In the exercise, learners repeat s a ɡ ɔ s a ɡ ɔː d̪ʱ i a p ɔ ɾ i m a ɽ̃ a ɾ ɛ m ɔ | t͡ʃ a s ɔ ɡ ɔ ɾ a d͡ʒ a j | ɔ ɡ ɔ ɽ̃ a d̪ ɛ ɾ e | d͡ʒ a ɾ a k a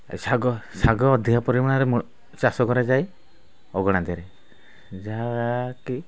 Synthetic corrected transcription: s a ɡ ɔ s a ɡ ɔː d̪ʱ i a p ɔ ɾ i m a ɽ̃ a ɾ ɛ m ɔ | t͡ʃ a s ɔ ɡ ɔ ɾ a d͡ʒ a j | ɔ ɡ ɔ ɽ̃ a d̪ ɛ ɾ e | d͡ʒ a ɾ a k i